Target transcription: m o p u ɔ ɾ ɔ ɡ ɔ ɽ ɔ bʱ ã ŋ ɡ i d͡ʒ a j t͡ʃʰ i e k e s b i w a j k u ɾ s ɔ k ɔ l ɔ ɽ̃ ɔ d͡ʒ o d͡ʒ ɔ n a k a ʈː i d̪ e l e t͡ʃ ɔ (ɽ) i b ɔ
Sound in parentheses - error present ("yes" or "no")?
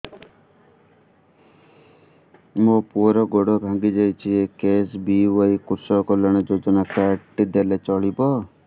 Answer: yes